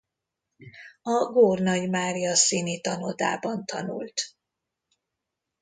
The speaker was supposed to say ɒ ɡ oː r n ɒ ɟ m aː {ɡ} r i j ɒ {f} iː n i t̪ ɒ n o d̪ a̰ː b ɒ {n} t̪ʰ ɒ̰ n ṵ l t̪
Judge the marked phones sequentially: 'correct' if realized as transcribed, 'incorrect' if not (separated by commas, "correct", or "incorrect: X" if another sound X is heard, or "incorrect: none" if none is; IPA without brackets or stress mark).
incorrect: none, incorrect: s, correct